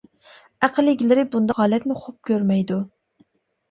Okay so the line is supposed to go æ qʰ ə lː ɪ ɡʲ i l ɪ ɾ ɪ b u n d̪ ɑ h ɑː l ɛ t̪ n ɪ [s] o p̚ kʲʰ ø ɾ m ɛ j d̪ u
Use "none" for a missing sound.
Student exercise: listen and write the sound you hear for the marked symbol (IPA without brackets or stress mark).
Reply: χ